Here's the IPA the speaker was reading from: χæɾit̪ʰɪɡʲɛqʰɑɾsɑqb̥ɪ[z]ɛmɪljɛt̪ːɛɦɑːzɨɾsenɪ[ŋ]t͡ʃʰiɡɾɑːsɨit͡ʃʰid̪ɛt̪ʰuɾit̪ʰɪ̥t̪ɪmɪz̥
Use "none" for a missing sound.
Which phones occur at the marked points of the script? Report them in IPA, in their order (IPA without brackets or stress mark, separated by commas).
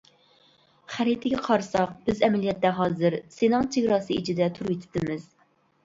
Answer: z, ŋ